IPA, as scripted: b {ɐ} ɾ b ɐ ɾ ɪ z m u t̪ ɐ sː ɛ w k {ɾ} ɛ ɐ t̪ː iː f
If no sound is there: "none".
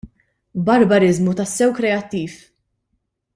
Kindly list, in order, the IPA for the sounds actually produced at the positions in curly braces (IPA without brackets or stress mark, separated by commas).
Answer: ɐ, ɾ